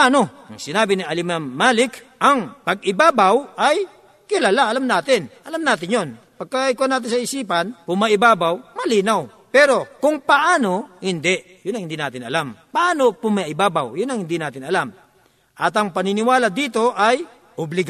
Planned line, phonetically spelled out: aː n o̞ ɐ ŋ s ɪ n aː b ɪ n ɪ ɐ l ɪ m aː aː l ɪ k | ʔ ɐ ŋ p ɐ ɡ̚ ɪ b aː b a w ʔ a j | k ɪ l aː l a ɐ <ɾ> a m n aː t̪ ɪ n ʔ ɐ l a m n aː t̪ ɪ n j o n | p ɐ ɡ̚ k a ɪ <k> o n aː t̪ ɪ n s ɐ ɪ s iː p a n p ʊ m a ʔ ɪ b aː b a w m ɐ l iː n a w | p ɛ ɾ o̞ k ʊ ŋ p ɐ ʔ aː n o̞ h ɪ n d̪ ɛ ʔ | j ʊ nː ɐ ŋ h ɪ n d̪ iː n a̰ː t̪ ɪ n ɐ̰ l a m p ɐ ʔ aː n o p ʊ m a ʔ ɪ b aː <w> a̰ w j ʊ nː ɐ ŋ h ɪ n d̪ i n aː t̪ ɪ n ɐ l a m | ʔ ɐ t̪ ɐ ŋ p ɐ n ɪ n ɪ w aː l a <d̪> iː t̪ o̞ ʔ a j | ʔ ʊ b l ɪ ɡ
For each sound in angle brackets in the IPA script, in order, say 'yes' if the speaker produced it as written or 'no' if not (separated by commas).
no, yes, no, yes